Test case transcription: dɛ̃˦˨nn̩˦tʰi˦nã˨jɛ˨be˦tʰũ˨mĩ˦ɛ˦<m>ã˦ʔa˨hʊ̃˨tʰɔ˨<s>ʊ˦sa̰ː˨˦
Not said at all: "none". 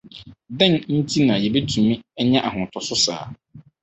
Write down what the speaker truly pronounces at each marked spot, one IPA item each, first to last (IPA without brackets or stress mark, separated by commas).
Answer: ɲ, s